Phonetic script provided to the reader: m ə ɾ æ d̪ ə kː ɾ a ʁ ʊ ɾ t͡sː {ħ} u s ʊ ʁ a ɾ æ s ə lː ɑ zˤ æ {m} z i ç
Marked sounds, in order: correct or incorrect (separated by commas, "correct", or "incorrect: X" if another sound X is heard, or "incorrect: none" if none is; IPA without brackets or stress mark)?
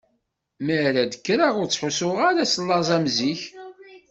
correct, correct